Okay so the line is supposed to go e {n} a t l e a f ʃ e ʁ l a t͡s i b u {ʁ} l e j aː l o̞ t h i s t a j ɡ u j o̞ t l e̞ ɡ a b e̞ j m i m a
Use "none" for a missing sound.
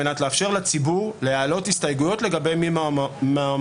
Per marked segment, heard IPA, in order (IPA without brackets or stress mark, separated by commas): n, ʁ